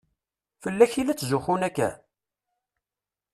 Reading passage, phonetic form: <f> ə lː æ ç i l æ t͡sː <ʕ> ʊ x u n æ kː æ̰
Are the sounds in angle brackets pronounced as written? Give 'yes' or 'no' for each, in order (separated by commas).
yes, no